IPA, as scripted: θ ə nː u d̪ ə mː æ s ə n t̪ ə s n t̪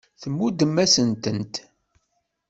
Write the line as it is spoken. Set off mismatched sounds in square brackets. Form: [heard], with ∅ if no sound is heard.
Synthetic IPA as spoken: θ ə [mː] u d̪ ə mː æ s ə n t̪ ə [∅] n t̪